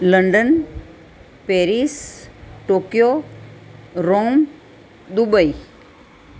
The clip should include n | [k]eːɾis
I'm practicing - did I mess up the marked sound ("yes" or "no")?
yes